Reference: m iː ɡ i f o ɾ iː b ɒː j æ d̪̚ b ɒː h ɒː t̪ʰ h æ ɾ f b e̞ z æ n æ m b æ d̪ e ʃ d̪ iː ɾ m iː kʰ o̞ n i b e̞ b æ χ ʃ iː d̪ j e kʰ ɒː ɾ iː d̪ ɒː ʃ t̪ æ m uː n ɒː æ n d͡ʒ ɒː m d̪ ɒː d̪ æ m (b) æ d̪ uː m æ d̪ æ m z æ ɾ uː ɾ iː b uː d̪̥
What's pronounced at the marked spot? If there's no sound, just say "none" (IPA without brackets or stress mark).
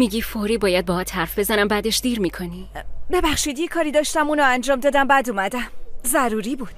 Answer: b